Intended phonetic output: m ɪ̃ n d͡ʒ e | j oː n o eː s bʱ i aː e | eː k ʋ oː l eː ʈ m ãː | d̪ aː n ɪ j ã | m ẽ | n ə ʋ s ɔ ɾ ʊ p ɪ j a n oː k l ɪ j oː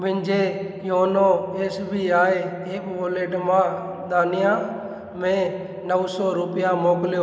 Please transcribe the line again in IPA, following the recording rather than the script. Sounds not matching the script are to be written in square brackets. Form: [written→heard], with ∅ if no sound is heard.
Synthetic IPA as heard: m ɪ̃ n d͡ʒ e | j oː n o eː s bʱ i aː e | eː k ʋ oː l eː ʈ m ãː | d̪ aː n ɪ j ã | m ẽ | n ə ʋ s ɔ ɾ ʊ p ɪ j a [n→m] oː k l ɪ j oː